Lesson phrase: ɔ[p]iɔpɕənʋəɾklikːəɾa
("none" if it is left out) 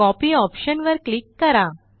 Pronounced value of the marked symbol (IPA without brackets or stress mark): p